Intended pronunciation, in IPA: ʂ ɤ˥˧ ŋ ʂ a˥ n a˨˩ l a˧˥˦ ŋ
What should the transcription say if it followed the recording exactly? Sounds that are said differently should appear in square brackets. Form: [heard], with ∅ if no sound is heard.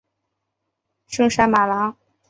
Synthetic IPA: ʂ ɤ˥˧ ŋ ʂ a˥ [m] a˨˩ l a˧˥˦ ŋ